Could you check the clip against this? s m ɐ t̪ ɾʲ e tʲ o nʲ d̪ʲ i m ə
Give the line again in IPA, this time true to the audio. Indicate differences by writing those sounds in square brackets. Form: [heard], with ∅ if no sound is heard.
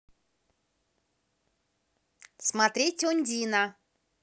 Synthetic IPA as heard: s m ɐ t̪ ɾʲ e tʲ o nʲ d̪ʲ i [n] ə